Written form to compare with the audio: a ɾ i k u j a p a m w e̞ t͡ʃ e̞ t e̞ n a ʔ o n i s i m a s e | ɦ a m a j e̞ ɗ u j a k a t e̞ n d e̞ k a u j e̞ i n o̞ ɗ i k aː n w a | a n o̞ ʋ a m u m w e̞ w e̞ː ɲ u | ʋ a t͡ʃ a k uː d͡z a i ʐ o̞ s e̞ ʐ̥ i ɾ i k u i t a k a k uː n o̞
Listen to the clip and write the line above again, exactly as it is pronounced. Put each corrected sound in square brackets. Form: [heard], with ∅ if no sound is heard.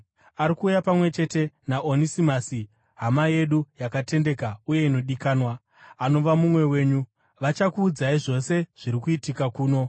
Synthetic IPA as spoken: a ɾ i k [uː] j a p a m w e̞ t͡ʃ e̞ t e̞ n a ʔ o n i s i m a s [i] | ɦ a m a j e̞ ɗ u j a k a t e̞ n d e̞ k a u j e̞ i n o̞ ɗ i k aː n w a | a n o̞ ʋ a m u m w e̞ w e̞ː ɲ u | ʋ a t͡ʃ a k uː d͡z a i ʐ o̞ s e̞ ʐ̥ i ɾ i k u i t [i] k a k uː n o̞